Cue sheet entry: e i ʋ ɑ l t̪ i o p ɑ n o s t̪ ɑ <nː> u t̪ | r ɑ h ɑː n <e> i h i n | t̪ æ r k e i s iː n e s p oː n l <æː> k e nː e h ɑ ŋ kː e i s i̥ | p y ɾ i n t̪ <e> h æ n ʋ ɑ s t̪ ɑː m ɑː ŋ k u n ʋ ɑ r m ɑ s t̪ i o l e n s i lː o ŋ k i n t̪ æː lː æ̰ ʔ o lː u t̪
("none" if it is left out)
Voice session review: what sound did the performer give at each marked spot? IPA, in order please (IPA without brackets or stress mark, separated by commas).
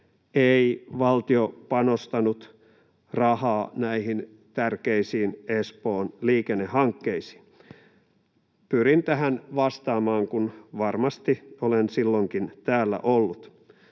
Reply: n, æ, iː, æ